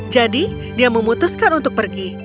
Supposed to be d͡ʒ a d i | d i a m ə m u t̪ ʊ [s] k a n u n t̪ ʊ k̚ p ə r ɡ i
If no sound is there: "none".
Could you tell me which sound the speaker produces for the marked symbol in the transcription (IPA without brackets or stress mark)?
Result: s